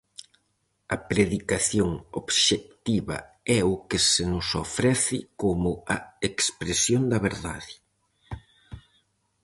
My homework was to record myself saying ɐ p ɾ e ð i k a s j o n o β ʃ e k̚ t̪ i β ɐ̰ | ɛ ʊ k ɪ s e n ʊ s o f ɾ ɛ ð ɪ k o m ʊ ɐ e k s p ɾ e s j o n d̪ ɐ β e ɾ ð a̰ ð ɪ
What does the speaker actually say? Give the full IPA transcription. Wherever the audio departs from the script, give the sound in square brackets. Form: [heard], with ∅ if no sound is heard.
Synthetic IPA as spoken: ɐ p ɾ e ð i k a [θ] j o [ŋ] o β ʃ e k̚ t̪ i β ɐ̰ | ɛ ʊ k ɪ s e n ʊ s o f ɾ ɛ [θ] ɪ k o m ʊ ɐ e k s p ɾ e s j o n d̪ ɐ β e ɾ ð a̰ ð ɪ